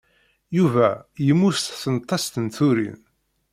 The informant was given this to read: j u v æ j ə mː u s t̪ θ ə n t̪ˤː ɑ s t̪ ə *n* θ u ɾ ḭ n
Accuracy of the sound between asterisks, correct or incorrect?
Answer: correct